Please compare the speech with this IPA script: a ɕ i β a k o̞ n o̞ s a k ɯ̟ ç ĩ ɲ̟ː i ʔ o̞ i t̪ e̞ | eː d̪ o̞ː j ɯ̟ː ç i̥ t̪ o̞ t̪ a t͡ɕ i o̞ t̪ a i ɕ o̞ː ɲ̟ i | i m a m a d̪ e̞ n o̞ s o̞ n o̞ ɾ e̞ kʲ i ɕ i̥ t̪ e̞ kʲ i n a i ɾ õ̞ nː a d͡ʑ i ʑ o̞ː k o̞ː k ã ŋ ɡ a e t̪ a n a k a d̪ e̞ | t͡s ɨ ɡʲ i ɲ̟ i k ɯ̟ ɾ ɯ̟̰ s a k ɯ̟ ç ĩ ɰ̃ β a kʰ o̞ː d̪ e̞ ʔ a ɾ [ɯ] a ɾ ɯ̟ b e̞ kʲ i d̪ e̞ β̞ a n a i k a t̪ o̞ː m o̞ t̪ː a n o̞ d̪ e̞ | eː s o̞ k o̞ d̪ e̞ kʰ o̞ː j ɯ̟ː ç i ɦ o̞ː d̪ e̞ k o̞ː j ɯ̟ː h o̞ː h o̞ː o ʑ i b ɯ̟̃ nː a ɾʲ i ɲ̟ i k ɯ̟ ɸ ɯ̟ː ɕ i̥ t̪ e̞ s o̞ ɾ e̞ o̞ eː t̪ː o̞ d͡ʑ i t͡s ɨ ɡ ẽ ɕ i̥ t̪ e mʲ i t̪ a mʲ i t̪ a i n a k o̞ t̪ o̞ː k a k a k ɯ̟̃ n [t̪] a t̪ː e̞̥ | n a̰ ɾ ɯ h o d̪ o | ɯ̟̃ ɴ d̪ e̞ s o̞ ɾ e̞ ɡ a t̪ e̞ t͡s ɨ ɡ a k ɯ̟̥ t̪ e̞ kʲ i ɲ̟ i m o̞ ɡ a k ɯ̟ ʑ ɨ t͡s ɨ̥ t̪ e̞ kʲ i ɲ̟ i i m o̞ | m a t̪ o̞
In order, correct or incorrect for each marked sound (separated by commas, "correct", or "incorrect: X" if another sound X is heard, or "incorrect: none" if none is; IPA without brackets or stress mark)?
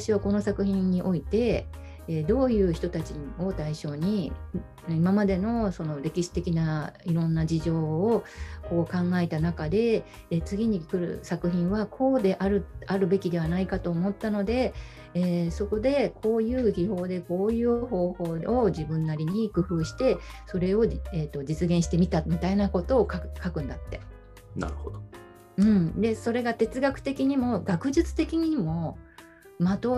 correct, incorrect: d̪